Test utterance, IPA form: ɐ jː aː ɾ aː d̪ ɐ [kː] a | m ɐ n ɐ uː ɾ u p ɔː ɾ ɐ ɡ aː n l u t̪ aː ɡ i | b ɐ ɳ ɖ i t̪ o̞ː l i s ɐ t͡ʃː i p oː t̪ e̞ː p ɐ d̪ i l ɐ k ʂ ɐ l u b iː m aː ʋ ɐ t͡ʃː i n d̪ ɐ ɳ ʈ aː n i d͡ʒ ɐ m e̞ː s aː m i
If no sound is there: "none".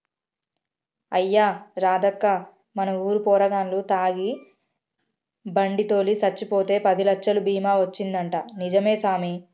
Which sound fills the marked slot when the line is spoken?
kː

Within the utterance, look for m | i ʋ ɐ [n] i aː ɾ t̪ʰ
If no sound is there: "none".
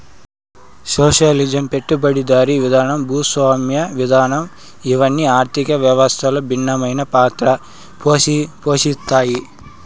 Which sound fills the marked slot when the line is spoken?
nː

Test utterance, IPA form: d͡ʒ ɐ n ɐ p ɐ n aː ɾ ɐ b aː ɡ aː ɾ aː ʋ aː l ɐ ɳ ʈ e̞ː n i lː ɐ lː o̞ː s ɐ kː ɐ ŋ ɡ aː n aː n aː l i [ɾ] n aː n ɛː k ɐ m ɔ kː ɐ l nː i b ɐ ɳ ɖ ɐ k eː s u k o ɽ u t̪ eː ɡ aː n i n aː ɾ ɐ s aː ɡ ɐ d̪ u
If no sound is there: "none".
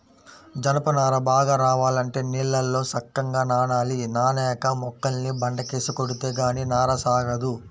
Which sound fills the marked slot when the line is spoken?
none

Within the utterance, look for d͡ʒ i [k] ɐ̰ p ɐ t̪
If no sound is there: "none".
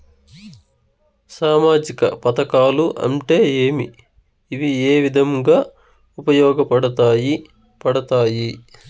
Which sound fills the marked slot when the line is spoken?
k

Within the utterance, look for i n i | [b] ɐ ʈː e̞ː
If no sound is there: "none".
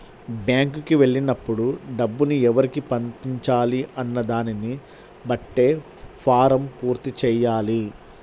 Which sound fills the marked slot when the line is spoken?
b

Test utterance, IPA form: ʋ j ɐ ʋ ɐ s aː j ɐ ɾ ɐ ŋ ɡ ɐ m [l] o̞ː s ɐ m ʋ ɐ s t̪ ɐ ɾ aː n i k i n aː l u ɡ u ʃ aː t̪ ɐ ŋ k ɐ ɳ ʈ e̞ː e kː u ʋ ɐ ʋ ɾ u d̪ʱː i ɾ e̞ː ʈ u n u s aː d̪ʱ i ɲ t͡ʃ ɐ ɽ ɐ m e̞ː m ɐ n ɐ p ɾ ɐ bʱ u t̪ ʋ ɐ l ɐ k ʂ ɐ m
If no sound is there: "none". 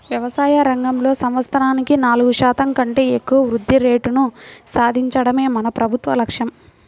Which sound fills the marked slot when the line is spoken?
l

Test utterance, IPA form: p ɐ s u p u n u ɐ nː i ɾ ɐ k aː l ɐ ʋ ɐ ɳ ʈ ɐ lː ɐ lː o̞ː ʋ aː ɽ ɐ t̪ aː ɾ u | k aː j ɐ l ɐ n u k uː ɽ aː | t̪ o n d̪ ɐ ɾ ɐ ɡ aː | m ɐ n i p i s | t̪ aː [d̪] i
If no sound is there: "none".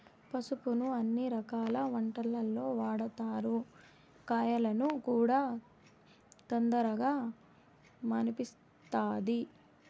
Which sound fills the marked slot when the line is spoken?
d̪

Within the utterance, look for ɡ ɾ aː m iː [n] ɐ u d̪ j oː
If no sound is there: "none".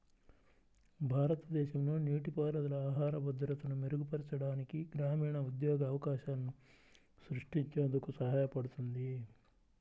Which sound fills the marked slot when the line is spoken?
ɳ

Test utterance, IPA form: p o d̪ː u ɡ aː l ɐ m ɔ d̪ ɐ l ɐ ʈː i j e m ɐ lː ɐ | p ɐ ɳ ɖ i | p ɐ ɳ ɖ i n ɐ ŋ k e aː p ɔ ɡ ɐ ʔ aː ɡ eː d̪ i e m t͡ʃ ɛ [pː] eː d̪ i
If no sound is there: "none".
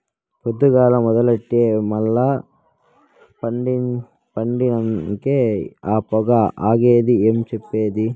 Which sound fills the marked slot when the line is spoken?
pː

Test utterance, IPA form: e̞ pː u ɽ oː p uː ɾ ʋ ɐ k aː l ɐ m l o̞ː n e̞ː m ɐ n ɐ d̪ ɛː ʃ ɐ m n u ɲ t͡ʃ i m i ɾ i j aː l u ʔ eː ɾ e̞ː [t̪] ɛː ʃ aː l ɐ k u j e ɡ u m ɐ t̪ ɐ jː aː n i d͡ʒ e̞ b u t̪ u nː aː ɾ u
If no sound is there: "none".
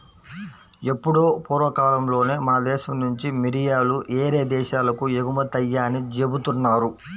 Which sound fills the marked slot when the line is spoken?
d̪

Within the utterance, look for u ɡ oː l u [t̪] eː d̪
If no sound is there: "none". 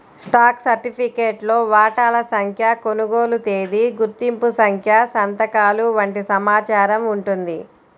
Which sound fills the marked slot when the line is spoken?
t̪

